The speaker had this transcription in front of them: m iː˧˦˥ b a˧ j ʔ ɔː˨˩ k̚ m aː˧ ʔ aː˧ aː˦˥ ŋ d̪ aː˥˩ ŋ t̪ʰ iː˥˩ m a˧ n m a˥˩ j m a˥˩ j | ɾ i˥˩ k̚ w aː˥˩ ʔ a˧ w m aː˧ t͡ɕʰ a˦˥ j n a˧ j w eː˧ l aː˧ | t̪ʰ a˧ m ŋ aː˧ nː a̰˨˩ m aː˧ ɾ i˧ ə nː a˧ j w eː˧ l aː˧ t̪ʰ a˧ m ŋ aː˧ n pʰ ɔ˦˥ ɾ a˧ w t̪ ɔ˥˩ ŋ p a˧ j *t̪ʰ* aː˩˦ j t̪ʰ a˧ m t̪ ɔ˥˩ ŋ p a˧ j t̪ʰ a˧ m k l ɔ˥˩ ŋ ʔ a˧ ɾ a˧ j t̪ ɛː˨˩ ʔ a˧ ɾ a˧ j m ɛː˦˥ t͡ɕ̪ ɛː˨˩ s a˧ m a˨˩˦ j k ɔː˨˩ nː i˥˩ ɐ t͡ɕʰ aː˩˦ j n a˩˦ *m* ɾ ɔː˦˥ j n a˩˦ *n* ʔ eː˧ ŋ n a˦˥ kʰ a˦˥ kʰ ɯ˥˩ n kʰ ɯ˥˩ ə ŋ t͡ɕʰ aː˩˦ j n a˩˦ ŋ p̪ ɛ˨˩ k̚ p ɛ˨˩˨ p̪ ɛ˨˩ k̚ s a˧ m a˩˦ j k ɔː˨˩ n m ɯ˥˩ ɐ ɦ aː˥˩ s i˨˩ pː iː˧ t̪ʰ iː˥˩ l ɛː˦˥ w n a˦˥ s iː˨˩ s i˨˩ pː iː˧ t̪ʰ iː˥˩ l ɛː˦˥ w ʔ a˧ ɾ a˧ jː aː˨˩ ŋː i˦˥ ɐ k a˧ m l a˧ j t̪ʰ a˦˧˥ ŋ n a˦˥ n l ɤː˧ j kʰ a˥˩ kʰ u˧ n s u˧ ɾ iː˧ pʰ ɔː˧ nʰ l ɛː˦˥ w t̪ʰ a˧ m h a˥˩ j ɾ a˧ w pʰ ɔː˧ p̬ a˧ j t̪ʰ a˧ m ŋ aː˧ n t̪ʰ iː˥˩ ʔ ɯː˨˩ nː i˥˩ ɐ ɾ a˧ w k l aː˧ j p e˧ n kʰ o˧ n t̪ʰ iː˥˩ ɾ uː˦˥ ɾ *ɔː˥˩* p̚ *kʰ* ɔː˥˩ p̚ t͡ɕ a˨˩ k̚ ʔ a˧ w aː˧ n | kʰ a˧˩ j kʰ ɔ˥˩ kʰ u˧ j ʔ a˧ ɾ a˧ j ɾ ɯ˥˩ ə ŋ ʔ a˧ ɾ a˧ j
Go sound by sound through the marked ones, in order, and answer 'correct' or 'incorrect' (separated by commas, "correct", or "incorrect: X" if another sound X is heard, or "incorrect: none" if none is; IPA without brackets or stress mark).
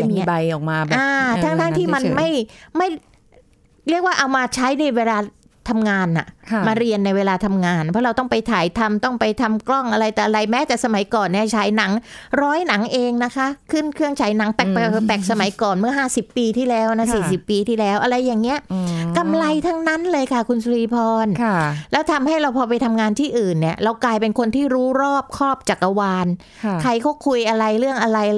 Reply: correct, incorrect: ŋ, incorrect: ŋ, correct, correct